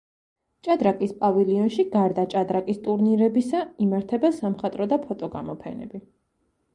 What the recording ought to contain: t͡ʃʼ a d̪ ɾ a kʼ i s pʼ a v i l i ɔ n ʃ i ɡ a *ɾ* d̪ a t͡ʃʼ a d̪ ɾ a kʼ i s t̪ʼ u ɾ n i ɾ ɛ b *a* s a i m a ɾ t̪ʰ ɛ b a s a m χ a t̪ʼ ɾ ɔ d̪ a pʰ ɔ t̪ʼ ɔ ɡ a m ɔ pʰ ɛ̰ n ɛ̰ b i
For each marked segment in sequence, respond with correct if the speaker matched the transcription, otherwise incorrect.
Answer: correct, incorrect: i

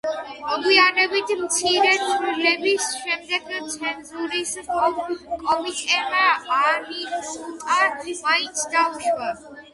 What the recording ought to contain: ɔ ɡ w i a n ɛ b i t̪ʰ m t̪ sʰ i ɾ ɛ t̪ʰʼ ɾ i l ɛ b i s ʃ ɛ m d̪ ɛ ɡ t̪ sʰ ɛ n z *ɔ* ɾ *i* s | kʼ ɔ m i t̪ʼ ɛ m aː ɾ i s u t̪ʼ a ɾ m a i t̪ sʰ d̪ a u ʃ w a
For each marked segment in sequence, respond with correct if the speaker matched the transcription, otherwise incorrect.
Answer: incorrect: u, correct

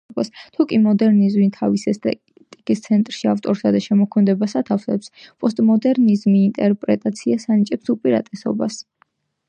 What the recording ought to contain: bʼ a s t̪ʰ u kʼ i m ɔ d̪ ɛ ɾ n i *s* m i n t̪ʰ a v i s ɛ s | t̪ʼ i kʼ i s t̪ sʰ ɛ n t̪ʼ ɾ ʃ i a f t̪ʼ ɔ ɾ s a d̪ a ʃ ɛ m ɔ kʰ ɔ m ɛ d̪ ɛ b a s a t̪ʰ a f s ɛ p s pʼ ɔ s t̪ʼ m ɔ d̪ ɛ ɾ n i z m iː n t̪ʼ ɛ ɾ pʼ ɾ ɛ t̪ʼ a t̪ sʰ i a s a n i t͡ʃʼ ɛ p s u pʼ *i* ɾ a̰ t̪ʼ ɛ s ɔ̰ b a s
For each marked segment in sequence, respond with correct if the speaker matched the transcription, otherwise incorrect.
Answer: incorrect: z, correct

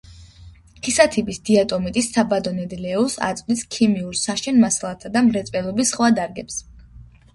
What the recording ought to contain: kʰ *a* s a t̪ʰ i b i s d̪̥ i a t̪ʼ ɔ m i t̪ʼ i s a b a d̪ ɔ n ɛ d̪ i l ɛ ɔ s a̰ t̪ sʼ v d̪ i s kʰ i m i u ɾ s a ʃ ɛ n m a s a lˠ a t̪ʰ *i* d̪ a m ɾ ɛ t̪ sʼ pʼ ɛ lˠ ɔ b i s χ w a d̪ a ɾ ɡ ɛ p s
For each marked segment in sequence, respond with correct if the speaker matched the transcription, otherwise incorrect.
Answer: incorrect: i, incorrect: a

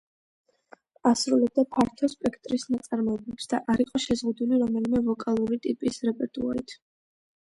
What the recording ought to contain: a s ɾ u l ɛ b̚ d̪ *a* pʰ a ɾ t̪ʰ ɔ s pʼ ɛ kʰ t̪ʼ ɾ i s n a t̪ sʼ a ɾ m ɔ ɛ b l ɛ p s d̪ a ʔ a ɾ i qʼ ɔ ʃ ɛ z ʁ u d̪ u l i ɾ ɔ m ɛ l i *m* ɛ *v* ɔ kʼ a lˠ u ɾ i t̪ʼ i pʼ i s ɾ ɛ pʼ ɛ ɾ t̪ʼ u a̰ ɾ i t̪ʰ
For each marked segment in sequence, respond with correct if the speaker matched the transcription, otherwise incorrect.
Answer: correct, correct, correct

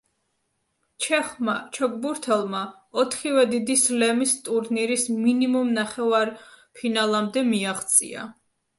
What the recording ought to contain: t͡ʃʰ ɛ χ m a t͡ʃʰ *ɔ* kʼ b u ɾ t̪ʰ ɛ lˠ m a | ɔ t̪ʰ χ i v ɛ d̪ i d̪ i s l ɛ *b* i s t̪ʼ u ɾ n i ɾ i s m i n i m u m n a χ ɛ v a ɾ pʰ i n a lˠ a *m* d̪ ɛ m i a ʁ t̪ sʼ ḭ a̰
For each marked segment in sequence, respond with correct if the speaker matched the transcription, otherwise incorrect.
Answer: correct, incorrect: m, correct

